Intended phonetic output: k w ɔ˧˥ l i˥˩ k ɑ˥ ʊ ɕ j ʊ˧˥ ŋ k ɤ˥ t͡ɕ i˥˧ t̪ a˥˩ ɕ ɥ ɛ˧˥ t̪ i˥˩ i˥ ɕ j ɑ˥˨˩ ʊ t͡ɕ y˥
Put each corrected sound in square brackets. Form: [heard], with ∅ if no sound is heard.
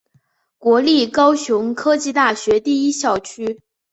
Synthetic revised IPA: k w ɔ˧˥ l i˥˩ k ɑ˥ ʊ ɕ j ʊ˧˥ ŋ [kʰ] ɤ˥ t͡ɕ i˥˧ t̪ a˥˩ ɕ ɥ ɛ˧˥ t̪ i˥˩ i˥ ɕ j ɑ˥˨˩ ʊ [t͡ɕʰ] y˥